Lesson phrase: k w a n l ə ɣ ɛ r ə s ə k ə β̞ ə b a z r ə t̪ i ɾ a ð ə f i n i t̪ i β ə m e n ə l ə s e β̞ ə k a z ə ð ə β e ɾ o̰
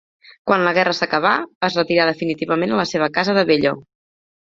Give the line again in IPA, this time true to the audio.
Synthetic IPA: k w a n l ə ɣ ɛ r ə s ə k ə β̞ a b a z r ə t̪ i ɾ a ð ə f i n i t̪ i β ə m e n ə l ə s e β̞ ə k a z ə ð ə β e ʎ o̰